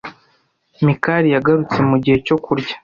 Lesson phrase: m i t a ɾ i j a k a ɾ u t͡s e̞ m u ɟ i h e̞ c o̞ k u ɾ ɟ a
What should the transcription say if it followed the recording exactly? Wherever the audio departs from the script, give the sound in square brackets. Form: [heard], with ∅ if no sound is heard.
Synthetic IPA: m i [k] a ɾ i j a [ɡ] a ɾ u t͡s e̞ m u ɟ i h e̞ c o̞ k u ɾ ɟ a